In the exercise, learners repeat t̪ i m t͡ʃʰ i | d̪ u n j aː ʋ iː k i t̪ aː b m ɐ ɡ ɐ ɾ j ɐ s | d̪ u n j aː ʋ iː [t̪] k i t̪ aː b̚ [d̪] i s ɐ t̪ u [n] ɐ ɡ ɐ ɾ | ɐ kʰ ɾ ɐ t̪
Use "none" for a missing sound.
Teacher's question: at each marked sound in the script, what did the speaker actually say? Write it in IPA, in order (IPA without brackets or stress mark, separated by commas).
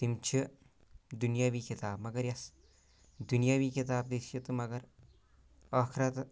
none, d̪, m